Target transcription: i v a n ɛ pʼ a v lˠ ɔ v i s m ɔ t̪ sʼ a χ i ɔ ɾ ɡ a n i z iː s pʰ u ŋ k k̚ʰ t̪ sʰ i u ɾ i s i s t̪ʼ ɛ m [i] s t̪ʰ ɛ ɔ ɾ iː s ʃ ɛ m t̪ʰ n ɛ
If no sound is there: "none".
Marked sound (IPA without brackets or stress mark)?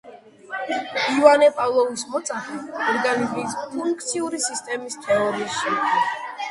i